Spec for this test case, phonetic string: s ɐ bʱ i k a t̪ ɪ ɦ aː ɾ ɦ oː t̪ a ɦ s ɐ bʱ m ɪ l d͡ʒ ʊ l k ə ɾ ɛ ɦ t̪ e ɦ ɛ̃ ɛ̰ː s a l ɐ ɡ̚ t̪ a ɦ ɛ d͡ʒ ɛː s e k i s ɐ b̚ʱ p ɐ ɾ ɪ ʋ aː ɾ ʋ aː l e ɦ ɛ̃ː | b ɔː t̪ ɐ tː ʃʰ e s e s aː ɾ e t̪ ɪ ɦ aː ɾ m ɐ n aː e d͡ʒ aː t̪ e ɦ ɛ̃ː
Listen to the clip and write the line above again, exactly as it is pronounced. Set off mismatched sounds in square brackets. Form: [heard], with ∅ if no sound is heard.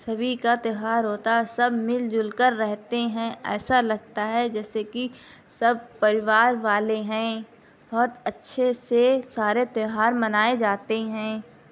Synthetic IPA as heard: s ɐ bʱ i k a t̪ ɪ ɦ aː ɾ ɦ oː t̪ a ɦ s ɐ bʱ m ɪ l d͡ʒ ʊ l k ə [ɾː] ɛ ɦ t̪ e ɦ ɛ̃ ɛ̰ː s a l ɐ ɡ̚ t̪ a ɦ ɛ d͡ʒ ɛː s e k i s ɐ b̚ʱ p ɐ ɾ ɪ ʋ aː ɾ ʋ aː l e ɦ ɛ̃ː | b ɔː t̪ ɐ tː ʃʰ e s e s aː ɾ e t̪ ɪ ɦ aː ɾ m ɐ n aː e d͡ʒ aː t̪ e ɦ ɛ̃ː